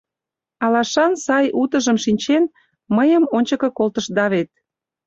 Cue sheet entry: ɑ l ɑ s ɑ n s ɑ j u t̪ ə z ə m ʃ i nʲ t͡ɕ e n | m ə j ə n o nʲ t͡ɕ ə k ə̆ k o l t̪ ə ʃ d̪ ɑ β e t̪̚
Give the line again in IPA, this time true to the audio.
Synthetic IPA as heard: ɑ l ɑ ʃ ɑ n s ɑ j u t̪ ə ʒ ə m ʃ i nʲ t͡ɕ e n | m ə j ə m o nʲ t͡ɕ ə k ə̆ k o l t̪ ə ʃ d̪ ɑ β e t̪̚